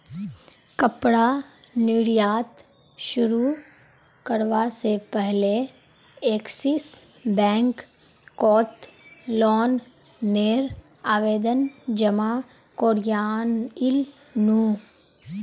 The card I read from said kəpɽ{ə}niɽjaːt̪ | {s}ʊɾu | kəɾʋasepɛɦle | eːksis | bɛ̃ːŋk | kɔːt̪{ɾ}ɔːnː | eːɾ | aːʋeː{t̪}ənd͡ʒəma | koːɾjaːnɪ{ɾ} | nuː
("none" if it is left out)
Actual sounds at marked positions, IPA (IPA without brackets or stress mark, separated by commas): a, ʃ, l, d̪, l